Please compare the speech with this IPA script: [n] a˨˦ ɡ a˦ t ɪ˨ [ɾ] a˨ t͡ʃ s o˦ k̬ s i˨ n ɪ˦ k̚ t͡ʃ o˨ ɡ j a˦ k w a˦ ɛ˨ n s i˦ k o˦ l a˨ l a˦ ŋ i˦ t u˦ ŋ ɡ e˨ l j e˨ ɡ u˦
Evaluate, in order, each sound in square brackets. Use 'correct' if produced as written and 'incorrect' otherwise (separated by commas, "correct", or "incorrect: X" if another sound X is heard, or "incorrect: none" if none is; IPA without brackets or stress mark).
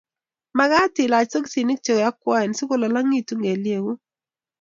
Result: incorrect: m, incorrect: l